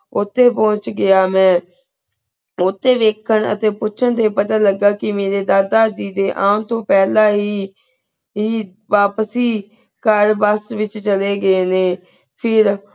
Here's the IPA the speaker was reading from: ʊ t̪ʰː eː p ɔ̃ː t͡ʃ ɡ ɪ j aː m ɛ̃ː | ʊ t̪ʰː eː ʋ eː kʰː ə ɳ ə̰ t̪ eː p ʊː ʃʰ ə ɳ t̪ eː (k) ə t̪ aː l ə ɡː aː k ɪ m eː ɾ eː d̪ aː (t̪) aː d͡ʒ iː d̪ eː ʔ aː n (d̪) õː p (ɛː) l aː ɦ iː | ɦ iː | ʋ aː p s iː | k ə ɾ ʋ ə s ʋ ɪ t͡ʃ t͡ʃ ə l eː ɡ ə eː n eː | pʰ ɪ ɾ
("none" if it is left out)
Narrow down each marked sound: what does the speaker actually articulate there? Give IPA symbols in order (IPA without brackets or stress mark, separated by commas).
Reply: p, d̪, t̪, ɛː